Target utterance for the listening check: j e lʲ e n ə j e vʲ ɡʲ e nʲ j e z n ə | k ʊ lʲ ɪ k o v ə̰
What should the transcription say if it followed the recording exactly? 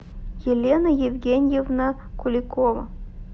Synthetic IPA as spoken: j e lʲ e n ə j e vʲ ɡʲ e nʲ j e v n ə | k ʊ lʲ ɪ k o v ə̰